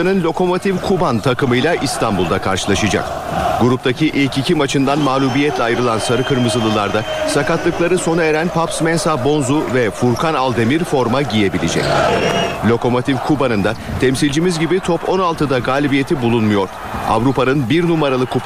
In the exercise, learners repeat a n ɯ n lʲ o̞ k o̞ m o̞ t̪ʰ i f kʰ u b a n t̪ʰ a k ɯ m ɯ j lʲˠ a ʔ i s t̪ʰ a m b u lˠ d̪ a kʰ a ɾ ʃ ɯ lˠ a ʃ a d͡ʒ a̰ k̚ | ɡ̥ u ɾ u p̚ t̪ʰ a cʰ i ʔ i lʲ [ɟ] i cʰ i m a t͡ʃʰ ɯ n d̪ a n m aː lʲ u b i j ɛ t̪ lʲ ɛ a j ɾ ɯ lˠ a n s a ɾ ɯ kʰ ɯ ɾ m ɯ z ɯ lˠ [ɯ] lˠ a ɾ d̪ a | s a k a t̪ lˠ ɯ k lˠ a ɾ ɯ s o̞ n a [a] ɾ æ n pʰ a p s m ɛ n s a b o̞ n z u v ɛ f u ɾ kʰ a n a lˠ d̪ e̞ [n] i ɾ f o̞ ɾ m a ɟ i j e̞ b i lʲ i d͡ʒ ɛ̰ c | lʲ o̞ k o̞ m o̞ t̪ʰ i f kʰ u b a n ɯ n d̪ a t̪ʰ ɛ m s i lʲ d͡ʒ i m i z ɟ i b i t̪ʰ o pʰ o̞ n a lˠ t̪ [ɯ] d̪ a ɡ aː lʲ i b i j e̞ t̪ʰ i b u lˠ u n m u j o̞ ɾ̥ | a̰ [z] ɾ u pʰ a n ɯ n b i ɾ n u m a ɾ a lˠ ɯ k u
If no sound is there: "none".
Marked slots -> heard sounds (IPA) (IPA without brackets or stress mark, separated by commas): c, ɯ, e, m, ɯ, v